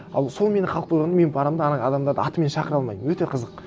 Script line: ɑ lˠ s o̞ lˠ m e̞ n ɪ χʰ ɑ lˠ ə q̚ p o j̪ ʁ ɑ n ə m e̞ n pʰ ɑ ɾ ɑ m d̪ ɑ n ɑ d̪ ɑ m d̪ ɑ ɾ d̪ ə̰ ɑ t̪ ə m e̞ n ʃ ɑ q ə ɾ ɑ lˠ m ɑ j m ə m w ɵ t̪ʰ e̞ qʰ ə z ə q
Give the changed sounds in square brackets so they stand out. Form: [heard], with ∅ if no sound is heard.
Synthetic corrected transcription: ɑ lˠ s o̞ lˠ m e̞ n ɪ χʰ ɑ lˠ ə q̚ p o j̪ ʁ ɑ n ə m e̞ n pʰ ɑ ɾ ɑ m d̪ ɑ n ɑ d̪ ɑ m d̪ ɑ ɾ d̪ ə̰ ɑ t̪ ə m e̞ n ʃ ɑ q ə ɾ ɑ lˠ m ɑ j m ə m w ɵ [t̪] e̞ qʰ ə z ə q